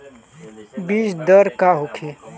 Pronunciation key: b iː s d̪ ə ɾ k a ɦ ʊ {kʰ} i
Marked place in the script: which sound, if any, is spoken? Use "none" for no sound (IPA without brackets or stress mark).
kʰ